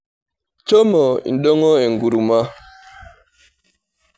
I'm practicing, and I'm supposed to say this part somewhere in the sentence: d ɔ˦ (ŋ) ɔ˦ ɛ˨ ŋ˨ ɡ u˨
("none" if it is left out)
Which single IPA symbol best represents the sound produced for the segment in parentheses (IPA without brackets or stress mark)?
ŋ